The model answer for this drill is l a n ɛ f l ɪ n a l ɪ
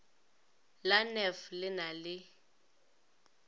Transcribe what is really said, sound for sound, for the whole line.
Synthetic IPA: l a n ɛ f l ɪ n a l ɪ